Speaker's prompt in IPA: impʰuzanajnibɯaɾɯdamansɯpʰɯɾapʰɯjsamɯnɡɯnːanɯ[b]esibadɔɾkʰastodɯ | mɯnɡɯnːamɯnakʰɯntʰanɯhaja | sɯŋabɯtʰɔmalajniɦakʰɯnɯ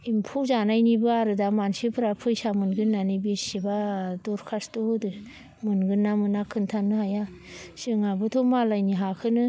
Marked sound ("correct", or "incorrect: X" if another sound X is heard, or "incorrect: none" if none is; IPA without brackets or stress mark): correct